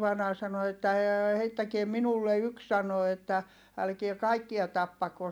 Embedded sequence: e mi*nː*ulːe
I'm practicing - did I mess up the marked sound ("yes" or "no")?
yes